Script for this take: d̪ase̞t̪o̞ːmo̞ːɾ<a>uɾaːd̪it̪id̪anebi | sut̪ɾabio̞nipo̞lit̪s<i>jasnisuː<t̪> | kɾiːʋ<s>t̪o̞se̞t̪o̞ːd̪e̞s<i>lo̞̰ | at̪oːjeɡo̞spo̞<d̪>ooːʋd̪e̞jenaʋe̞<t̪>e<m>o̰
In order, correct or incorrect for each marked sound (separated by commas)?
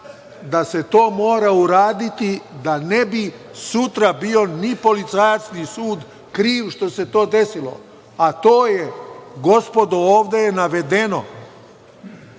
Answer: correct, incorrect, incorrect, incorrect, correct, correct, incorrect, incorrect